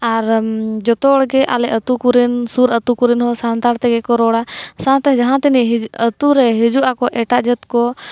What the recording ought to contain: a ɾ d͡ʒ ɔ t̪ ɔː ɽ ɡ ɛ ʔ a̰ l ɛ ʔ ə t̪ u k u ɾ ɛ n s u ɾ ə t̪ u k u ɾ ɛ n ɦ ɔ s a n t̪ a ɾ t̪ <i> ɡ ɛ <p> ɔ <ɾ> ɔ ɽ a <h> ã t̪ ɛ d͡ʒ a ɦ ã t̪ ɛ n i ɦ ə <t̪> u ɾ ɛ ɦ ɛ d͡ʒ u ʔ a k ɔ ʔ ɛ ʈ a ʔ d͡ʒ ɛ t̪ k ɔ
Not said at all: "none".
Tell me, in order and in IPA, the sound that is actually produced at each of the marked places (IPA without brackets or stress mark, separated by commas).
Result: ɛ, k, ɾ, s, t̪